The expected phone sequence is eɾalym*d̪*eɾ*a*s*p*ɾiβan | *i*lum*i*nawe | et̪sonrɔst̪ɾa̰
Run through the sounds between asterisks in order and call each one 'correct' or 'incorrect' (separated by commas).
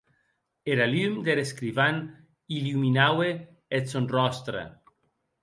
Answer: correct, incorrect, incorrect, correct, correct